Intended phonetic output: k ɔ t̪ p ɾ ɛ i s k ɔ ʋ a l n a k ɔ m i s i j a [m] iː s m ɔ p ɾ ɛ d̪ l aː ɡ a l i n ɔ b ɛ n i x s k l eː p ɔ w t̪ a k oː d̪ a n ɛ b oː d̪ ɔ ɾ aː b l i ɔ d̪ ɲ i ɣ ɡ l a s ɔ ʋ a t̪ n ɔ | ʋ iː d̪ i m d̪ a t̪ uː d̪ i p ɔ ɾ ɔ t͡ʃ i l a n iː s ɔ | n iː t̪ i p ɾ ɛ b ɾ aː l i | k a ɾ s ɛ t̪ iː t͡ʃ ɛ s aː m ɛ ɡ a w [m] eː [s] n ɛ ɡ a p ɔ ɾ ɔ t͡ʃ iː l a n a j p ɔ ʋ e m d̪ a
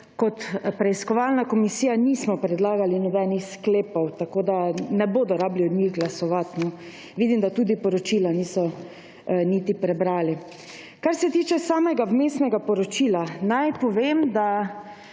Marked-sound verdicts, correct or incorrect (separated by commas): incorrect, correct, correct